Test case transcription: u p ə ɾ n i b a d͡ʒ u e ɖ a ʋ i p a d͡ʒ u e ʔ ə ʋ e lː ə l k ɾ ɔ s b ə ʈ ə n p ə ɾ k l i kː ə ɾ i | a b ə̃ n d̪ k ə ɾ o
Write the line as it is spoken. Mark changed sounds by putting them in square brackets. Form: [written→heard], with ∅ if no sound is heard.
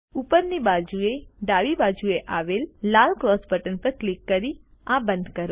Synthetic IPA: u p ə ɾ n i b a d͡ʒ u e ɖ a ʋ i [p→b] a d͡ʒ u e ʔ [ə→a] ʋ e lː [ə→a] l k ɾ ɔ s b ə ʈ ə n p ə ɾ k l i kː ə ɾ i | a b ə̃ n d̪ k ə ɾ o